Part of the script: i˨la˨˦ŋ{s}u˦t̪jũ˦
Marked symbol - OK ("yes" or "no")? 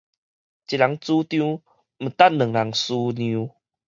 no